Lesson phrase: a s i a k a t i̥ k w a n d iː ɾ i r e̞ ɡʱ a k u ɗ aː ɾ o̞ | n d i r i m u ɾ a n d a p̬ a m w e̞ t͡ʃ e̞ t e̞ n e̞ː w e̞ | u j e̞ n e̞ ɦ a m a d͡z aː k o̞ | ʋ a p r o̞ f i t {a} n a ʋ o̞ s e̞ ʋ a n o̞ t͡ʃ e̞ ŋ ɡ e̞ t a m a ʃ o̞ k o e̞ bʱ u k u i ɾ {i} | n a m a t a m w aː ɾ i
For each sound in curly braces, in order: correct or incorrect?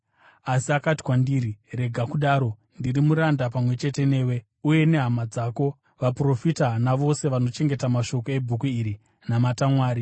correct, correct

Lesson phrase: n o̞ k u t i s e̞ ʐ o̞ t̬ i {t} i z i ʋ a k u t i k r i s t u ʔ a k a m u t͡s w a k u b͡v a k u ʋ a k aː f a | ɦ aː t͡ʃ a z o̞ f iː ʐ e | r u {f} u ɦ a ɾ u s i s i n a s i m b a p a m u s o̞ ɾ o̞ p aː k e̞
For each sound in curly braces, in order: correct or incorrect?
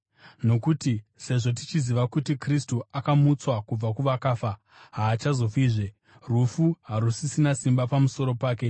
incorrect: t͡ʃ, correct

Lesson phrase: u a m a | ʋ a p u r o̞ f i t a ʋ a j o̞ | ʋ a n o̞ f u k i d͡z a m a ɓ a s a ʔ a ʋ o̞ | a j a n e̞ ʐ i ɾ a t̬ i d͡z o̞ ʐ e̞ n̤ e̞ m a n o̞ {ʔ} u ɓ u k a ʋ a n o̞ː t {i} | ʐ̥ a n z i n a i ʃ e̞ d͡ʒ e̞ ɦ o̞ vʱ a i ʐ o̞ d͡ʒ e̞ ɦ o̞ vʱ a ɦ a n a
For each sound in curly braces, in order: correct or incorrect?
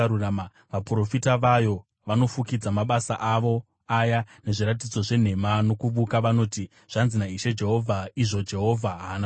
incorrect: k, correct

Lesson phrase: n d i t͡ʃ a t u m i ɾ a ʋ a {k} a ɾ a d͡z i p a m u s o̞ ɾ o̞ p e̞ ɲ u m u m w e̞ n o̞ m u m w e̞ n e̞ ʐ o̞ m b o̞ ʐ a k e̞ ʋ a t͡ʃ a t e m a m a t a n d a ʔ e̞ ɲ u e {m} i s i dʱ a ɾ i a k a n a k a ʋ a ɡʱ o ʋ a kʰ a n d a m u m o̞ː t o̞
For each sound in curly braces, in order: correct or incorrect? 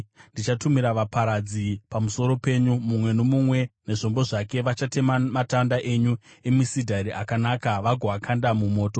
incorrect: p, correct

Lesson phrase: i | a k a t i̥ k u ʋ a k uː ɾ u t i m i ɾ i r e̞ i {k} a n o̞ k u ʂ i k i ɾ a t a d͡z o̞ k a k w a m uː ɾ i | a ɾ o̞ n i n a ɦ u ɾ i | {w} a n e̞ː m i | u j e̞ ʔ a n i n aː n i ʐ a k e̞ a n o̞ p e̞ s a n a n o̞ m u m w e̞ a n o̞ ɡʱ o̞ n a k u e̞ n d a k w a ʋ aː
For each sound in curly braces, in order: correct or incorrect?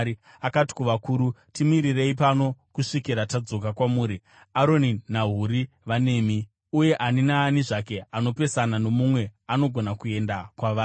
incorrect: p, incorrect: ʋ

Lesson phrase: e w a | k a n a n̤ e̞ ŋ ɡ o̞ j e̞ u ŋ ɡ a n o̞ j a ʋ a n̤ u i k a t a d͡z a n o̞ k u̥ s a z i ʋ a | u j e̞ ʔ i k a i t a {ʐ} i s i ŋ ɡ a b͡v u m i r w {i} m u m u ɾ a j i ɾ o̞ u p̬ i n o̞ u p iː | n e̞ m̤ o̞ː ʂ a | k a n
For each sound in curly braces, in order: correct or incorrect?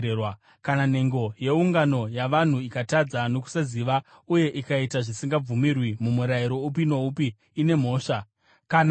correct, correct

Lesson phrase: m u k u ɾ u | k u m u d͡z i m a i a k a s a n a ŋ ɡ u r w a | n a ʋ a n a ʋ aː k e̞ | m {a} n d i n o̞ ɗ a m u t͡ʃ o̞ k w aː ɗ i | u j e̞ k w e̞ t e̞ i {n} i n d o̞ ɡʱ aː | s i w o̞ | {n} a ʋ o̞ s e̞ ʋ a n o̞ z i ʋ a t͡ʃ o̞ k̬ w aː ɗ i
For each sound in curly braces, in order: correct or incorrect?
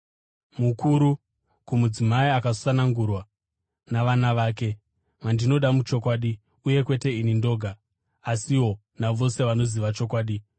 correct, correct, correct

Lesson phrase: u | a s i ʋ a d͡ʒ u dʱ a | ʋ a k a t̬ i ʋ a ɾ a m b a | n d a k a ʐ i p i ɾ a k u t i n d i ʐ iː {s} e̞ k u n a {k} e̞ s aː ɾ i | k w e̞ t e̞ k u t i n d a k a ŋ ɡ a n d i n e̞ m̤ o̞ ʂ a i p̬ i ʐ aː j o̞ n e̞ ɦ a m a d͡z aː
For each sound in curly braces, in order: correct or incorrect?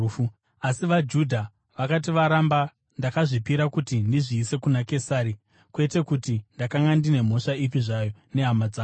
correct, correct

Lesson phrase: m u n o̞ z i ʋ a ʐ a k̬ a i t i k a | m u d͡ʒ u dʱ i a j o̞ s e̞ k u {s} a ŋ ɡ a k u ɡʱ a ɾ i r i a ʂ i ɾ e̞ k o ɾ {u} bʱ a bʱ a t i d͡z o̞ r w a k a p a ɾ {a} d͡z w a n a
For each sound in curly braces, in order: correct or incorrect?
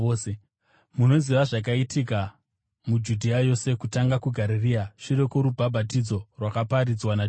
incorrect: t, correct, incorrect: i

